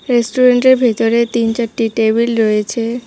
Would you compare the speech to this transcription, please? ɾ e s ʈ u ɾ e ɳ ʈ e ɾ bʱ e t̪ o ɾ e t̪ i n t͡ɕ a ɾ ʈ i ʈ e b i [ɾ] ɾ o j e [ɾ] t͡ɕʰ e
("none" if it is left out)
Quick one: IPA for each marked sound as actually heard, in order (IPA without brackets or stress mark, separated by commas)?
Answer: l, none